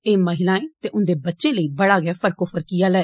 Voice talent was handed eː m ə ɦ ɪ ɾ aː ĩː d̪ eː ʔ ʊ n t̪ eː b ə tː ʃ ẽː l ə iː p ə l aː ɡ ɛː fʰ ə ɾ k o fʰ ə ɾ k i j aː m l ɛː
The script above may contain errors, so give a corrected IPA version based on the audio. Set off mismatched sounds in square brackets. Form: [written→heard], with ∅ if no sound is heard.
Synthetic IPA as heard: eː m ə ɦ ɪ [ɾ→l] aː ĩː [d̪→t̪] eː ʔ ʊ n [t̪→d̪] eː b ə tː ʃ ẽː l ə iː [p→b] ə [l→ɽ] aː ɡ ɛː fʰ ə ɾ k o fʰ ə ɾ k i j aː [m→∅] l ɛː